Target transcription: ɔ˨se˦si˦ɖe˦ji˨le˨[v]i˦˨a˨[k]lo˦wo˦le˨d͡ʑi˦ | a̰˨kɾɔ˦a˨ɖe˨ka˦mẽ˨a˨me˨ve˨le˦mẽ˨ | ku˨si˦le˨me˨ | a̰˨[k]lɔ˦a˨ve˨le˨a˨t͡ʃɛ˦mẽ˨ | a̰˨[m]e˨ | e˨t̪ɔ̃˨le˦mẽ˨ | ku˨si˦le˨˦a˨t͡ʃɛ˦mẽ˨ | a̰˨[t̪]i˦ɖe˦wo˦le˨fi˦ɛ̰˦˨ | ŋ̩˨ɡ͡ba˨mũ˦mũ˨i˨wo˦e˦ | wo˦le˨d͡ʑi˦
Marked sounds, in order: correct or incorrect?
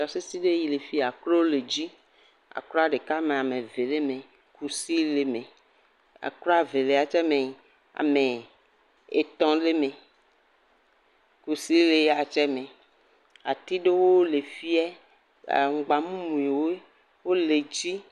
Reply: incorrect, correct, correct, correct, correct

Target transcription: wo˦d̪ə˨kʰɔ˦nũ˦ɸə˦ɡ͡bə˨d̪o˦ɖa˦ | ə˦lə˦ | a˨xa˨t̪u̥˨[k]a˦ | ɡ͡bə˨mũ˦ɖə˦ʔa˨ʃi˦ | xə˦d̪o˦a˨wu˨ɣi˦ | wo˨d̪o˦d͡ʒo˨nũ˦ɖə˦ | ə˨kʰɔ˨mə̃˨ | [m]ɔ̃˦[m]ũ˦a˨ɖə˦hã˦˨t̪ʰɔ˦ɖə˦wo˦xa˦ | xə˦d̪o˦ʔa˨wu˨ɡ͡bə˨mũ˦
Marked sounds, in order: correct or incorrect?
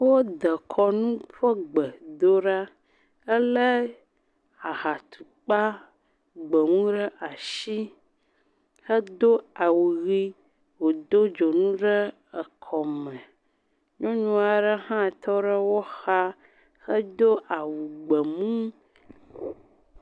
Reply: incorrect, incorrect, incorrect

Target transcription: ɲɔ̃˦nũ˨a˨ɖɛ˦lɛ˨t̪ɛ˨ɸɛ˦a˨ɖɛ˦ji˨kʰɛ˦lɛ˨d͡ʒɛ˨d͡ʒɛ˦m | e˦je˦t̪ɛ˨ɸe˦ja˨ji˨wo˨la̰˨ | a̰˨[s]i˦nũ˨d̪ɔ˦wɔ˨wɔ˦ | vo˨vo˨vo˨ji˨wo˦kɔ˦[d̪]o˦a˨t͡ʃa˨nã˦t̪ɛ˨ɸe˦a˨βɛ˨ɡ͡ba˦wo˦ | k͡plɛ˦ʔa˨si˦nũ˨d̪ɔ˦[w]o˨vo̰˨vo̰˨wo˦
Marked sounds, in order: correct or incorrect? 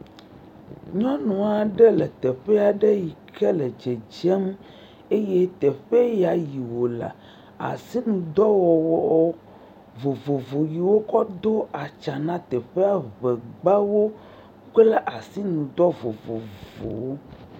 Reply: correct, correct, incorrect

